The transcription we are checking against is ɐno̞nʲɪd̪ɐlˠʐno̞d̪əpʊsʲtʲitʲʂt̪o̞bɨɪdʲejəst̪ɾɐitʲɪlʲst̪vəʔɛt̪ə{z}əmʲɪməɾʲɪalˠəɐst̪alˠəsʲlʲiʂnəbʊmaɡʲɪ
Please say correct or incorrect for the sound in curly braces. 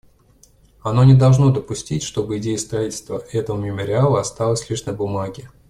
incorrect: v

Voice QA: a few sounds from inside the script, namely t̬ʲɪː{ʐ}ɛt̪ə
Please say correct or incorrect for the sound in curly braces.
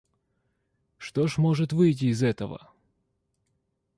incorrect: z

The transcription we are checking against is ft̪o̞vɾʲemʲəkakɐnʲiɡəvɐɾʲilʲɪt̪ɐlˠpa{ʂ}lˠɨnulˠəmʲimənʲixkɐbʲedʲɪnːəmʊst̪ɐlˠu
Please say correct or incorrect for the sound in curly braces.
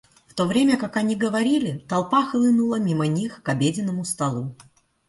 incorrect: x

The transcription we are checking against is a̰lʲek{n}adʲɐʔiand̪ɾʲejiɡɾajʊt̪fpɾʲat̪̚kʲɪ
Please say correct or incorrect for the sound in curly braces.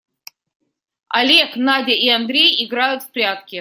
correct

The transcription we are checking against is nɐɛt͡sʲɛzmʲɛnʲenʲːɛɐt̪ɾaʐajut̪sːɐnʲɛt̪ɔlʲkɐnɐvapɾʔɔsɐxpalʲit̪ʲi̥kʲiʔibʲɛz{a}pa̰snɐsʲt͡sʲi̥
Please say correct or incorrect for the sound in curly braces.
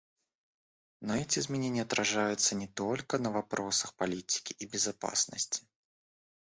correct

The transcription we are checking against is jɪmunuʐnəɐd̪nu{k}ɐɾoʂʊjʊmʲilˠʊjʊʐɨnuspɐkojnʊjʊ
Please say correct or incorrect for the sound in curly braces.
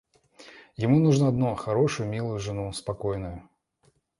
incorrect: x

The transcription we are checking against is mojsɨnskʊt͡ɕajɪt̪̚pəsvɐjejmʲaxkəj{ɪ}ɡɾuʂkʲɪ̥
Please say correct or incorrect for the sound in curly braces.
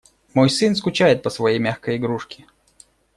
correct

